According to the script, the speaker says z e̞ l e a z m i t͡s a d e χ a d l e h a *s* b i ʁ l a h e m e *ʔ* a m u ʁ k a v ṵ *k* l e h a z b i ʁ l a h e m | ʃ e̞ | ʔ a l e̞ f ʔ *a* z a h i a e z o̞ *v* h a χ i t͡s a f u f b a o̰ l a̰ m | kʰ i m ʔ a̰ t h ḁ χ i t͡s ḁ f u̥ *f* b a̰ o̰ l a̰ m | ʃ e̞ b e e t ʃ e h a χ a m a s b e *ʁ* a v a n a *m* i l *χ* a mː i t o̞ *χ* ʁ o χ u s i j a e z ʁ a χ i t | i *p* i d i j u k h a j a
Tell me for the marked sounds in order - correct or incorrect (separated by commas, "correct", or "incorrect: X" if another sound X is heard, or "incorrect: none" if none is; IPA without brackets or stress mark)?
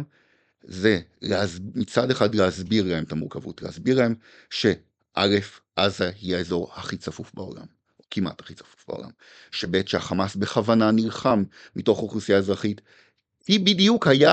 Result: incorrect: z, incorrect: t, incorrect: t, correct, incorrect: ʁ, correct, incorrect: χ, incorrect: n, correct, correct, incorrect: b